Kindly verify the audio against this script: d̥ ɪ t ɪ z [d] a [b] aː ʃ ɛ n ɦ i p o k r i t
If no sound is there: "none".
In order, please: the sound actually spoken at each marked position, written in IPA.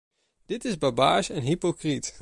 b, b

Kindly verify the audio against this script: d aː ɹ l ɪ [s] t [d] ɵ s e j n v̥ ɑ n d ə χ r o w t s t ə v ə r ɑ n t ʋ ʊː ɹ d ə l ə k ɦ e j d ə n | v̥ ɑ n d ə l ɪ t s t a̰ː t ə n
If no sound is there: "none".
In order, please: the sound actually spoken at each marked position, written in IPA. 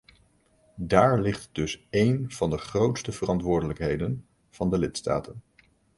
χ, d

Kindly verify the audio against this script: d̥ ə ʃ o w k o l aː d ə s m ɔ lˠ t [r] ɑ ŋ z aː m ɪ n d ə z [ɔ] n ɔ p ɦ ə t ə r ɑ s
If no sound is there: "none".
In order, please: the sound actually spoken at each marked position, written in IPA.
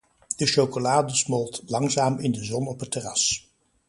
l, ɔ

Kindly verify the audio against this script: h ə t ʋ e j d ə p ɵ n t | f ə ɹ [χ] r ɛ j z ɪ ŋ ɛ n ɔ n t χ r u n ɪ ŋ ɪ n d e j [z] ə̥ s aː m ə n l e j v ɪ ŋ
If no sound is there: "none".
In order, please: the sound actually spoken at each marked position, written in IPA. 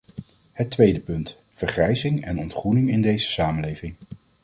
χ, z

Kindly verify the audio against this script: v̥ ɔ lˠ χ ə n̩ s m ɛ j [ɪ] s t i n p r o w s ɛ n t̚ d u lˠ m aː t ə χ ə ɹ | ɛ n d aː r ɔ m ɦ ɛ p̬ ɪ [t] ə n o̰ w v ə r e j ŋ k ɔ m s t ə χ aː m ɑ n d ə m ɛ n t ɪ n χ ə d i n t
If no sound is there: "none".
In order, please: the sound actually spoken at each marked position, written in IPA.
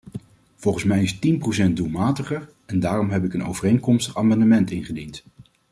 ɪ, k

